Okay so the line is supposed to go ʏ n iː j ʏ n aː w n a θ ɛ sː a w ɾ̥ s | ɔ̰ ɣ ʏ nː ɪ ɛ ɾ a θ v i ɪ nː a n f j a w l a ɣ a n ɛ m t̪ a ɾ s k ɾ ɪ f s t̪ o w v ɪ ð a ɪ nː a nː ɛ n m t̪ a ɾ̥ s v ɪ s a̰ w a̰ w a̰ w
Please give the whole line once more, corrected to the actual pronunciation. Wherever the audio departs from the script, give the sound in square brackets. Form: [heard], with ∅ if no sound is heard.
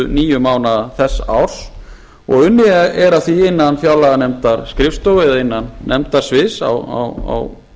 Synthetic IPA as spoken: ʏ n iː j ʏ [m] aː w n a θ ɛ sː a w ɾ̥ s | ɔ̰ ɣ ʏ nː ɪ ɛ ɾ a θ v i ɪ nː a n f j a w l a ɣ a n ɛ m t̪ a ɾ s k ɾ ɪ f s t̪ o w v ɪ ð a ɪ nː a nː ɛ [∅] m t̪ a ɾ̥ s v ɪ s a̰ w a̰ w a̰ w